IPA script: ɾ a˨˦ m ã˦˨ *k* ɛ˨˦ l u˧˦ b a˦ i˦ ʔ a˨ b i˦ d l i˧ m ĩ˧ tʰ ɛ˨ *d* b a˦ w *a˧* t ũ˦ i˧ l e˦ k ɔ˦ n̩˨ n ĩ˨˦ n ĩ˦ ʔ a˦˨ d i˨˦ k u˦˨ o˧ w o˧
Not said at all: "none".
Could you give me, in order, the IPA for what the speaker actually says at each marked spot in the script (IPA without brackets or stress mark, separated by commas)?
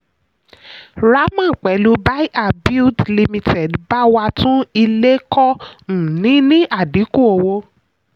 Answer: k͡p, d, a˧